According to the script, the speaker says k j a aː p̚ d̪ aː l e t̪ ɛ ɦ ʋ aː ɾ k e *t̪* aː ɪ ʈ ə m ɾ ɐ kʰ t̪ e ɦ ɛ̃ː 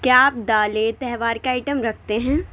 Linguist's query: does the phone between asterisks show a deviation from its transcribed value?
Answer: yes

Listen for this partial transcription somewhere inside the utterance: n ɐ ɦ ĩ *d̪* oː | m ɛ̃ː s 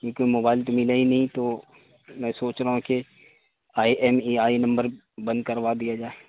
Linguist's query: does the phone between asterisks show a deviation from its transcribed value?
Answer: yes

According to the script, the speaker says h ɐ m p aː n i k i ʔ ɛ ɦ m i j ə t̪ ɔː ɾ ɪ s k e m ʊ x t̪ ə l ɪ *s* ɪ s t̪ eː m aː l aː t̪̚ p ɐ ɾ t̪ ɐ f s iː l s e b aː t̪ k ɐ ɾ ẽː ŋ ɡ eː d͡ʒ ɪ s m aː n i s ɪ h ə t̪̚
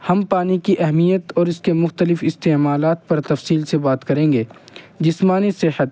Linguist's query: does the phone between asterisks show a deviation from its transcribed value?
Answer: yes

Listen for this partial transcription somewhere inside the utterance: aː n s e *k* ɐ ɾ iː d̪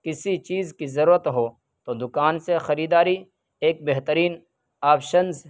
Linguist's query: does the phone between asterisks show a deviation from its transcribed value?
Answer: yes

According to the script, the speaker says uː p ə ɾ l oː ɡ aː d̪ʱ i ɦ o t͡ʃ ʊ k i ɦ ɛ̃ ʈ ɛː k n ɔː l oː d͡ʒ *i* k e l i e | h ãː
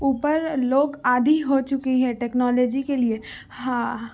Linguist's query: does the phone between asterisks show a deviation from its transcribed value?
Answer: no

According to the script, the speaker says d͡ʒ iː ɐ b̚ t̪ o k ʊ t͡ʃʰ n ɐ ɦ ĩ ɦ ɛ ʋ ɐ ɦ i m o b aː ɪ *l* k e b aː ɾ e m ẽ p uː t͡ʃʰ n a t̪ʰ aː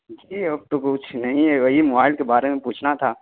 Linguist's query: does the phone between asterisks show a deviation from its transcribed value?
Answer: no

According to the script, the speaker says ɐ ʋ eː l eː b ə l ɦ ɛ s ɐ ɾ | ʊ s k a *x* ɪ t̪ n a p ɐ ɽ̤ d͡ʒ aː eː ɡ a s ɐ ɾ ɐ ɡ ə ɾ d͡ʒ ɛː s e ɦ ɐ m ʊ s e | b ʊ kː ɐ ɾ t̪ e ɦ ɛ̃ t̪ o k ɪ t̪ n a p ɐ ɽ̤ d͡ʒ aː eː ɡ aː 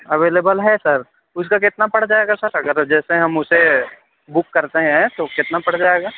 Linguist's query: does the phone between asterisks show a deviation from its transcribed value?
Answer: yes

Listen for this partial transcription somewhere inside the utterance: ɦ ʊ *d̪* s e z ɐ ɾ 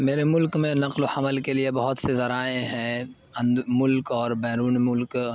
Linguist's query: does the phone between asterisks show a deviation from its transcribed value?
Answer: yes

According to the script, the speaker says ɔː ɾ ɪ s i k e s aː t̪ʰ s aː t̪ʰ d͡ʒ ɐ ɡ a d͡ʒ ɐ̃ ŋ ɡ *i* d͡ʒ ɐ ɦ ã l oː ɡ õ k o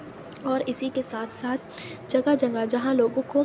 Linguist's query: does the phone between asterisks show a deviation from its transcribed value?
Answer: yes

